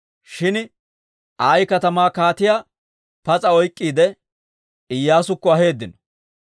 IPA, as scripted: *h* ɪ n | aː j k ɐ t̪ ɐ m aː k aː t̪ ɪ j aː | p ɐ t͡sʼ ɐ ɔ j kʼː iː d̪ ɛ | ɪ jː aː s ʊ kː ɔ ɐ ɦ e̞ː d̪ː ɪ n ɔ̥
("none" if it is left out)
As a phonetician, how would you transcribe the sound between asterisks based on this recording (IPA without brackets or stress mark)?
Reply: ʃ